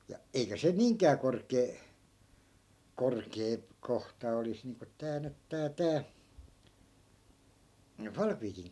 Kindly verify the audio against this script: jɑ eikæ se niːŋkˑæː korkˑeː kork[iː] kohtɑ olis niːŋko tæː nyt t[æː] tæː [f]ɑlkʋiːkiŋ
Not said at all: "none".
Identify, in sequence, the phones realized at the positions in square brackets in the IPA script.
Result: eː, æː, f

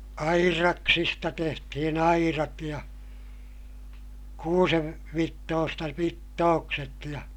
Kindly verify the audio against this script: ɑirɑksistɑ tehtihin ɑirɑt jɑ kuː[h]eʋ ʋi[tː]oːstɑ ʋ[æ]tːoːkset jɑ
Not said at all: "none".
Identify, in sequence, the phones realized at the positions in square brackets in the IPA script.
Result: s, tː, i

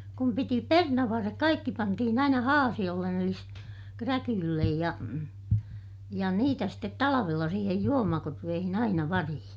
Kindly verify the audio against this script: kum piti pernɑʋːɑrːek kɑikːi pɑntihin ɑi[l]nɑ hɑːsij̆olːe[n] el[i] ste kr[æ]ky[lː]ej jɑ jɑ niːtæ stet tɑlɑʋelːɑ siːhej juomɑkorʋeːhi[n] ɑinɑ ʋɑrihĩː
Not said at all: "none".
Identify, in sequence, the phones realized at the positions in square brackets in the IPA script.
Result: none, n, i, æ, lː, n

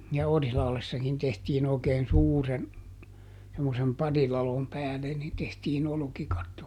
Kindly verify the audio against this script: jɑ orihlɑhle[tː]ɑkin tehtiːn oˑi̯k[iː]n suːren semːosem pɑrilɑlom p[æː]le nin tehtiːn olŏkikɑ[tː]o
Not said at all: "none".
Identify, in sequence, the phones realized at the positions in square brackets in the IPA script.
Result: sː, eː, æː, tː

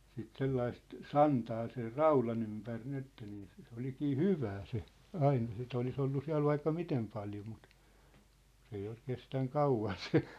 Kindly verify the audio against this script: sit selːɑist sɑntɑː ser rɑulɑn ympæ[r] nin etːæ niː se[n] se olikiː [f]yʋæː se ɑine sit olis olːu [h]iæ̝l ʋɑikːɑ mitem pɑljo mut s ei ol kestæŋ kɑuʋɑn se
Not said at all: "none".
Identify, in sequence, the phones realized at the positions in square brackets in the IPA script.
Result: r, none, h, s

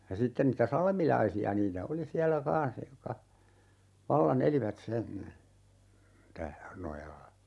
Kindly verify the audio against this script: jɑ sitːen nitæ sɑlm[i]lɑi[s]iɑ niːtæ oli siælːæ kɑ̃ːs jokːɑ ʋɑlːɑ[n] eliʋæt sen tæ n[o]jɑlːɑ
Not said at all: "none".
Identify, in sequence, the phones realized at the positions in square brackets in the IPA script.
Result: i, s, n, o

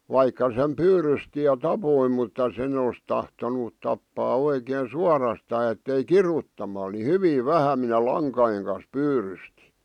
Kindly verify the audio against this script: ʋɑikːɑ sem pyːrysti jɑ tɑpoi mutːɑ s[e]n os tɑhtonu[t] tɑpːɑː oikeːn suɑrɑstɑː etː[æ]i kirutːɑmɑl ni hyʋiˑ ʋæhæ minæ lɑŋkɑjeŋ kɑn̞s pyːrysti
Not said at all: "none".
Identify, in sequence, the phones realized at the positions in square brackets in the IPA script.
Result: e, t, e

